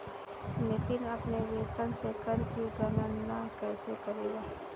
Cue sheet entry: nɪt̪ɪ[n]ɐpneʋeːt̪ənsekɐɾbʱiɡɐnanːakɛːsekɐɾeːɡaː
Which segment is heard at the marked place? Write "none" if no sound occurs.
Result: n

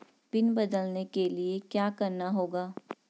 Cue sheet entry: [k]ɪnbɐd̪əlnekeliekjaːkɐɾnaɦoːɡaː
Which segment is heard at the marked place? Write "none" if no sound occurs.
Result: p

